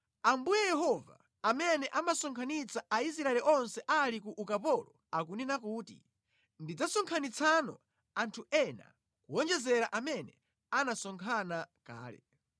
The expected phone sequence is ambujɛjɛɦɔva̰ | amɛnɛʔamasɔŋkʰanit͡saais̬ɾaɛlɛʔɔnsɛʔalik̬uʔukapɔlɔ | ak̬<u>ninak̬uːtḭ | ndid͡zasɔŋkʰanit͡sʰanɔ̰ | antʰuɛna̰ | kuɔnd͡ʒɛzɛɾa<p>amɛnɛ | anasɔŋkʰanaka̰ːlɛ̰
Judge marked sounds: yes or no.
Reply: yes, no

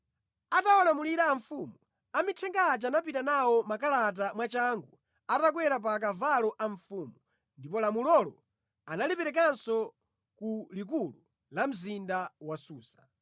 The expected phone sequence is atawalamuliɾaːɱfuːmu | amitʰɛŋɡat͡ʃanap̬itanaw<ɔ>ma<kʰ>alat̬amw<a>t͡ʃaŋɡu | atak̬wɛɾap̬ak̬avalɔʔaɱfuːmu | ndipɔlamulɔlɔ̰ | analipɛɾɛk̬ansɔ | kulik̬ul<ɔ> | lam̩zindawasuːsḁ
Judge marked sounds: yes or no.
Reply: yes, no, yes, no

